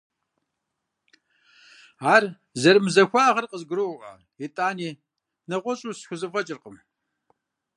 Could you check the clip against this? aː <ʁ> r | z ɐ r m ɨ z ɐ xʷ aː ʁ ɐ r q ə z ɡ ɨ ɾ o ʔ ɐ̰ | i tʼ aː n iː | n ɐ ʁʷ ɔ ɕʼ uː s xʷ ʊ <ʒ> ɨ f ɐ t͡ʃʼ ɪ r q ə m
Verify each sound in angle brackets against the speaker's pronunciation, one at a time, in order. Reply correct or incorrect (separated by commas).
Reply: incorrect, incorrect